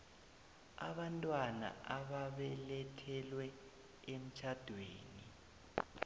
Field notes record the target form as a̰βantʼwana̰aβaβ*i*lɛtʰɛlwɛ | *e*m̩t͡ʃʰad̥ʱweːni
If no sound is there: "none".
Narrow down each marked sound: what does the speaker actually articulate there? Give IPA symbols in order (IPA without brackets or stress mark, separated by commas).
ɛ, e